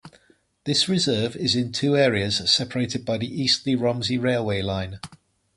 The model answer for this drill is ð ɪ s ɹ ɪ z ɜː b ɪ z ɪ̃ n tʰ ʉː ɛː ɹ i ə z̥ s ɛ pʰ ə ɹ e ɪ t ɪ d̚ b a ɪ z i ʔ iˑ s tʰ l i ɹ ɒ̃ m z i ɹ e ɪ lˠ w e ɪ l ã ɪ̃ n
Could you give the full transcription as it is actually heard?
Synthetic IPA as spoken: ð ɪ s ɹ ɪ z ɜː v ɪ z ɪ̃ n tʰ ʉː ɛː ɹ i ə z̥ s ɛ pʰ ə ɹ e ɪ t ɪ d̚ b a ɪ ð i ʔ iˑ s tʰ l i ɹ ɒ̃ m z i ɹ e ɪ lˠ w e ɪ l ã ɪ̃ n